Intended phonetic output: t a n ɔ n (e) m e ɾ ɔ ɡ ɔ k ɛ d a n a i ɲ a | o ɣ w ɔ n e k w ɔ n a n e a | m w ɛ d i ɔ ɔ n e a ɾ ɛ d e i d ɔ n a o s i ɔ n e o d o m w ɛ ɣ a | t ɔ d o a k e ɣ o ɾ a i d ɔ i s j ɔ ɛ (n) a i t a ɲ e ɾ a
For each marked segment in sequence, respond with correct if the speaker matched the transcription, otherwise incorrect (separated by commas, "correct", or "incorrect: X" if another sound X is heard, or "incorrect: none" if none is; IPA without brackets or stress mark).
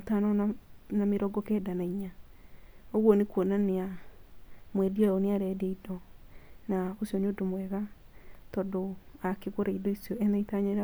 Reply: incorrect: a, correct